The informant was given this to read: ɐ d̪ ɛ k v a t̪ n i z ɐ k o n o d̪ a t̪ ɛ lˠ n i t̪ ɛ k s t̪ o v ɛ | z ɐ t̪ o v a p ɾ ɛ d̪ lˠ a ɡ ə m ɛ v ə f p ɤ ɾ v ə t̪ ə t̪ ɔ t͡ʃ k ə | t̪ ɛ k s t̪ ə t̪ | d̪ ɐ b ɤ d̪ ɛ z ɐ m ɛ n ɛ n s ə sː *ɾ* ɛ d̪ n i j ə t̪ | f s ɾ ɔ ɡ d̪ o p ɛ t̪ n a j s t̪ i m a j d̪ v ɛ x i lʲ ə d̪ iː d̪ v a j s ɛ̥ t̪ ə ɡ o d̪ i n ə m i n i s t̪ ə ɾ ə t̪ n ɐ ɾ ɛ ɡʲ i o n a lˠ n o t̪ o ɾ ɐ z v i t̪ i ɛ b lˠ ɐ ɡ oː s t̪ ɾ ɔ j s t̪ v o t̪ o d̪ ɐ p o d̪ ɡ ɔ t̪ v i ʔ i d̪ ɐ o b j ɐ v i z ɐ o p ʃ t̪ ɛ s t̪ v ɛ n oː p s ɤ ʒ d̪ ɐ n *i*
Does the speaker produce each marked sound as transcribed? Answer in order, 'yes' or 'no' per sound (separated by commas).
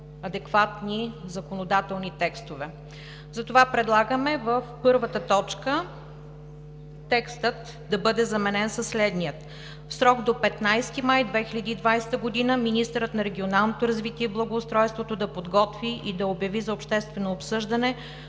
no, no